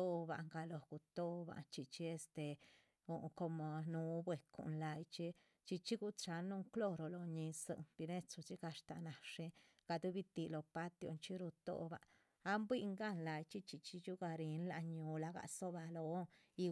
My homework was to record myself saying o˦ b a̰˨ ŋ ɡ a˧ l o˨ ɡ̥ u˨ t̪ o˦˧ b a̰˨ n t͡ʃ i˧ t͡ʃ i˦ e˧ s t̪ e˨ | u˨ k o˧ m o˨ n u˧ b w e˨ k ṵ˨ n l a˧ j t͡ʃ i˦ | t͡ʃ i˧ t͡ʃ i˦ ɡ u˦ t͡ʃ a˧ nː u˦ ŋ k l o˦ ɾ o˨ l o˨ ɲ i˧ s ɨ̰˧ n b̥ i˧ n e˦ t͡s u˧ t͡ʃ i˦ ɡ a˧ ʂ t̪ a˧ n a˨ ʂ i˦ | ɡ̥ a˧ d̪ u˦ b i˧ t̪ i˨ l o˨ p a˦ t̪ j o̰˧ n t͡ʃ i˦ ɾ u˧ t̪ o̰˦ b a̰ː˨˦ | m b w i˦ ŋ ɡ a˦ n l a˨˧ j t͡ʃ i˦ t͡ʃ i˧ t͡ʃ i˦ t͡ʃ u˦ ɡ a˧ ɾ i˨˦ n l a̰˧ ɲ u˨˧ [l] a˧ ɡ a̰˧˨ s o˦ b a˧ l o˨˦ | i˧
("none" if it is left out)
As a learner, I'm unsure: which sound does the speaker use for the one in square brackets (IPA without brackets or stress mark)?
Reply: l